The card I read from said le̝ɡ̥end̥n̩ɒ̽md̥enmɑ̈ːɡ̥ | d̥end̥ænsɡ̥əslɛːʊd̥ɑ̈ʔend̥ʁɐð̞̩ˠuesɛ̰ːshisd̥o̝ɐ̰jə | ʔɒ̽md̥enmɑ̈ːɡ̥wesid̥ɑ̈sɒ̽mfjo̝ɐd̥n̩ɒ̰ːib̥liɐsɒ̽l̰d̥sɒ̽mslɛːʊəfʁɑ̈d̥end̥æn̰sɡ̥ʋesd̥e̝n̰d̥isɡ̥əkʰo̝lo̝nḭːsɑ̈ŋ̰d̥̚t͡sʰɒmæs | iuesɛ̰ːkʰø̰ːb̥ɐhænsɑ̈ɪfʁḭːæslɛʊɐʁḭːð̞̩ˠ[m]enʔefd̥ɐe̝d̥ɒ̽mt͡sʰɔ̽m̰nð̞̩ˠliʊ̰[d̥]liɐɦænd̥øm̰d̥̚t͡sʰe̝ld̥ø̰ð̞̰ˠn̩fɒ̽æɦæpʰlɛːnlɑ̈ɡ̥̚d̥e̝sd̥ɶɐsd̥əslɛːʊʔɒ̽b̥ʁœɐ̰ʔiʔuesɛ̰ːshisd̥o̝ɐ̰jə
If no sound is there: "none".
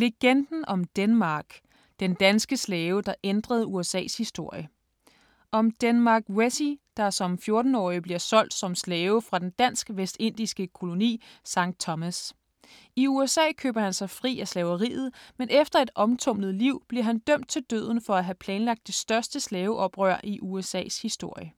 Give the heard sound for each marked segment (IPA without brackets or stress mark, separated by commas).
m, b̥